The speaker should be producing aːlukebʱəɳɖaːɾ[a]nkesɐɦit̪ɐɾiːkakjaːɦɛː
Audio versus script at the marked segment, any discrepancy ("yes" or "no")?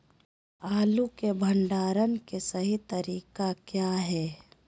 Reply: yes